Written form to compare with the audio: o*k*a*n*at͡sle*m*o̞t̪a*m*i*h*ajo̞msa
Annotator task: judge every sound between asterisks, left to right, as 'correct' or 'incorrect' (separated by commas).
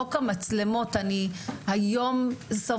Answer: correct, incorrect, correct, incorrect, correct